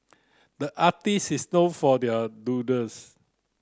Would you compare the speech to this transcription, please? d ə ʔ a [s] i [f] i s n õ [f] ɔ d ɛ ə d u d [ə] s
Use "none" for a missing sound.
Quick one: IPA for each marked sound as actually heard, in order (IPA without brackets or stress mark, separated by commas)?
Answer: t, s, f, ə